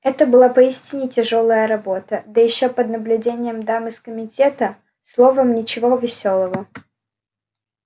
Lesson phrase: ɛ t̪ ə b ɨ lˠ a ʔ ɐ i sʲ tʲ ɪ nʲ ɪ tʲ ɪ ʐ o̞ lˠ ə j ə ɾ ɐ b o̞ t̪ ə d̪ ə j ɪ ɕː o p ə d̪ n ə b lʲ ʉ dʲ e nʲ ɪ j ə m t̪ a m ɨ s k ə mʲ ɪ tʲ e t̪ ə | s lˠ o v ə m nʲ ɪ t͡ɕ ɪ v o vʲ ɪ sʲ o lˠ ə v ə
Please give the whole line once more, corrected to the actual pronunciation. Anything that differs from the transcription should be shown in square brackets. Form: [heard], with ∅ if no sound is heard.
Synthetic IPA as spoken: ɛ t̪ ə b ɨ lˠ a [p] ɐ i sʲ tʲ ɪ nʲ ɪ tʲ ɪ ʐ o̞ lˠ ə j ə ɾ ɐ b o̞ t̪ ə d̪ ə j ɪ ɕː o p ə d̪ n ə b lʲ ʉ dʲ e nʲ ɪ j ə m [d̪] a m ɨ s k ə mʲ ɪ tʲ e t̪ ə | s lˠ o v ə m nʲ ɪ t͡ɕ ɪ v o vʲ ɪ sʲ o lˠ ə v ə